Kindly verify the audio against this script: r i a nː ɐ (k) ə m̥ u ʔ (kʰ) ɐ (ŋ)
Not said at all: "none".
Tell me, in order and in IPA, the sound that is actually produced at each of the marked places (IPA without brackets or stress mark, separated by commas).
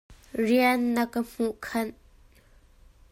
k, kʰ, n